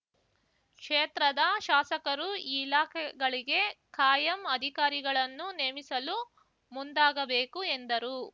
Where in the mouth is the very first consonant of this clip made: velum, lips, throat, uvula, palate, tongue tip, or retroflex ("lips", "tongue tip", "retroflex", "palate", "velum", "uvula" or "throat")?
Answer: velum